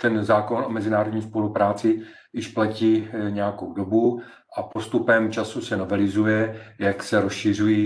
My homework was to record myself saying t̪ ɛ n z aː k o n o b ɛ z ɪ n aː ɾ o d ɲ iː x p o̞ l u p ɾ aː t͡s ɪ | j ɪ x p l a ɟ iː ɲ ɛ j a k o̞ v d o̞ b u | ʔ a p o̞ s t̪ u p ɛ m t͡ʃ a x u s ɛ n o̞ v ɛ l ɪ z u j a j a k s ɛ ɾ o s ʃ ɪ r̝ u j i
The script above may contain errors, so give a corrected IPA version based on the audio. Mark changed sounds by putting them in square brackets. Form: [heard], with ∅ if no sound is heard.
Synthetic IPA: t̪ ɛ n z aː k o n o [m] ɛ z ɪ n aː ɾ o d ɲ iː [s] p o̞ l u p ɾ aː t͡s ɪ | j ɪ [ʃ] p l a [c] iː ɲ ɛ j a k o̞ [w] d o̞ b u | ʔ a p o̞ s t̪ u p ɛ m t͡ʃ a [s] u s ɛ n o̞ v ɛ l ɪ z u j [ɛ] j a k s ɛ ɾ o s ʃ ɪ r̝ u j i